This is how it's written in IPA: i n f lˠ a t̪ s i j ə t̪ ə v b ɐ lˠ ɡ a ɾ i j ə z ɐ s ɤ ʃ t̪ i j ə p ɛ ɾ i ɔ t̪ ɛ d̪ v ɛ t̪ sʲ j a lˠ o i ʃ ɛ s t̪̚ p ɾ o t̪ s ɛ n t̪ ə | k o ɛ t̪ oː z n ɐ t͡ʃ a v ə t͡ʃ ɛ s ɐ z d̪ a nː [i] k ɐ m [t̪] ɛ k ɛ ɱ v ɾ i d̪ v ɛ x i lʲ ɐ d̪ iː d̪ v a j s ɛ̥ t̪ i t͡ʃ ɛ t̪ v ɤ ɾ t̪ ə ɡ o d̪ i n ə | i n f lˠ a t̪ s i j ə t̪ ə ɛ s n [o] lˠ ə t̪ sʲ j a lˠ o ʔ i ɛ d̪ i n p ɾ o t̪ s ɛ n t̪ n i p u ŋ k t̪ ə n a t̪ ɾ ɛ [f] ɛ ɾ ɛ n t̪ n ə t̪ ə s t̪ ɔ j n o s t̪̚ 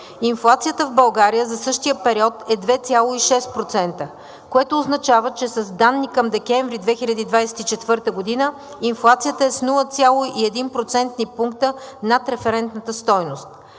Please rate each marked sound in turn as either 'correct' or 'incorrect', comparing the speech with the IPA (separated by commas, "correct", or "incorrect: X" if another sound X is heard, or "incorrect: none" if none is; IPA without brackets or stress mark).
correct, incorrect: d̪, incorrect: u, correct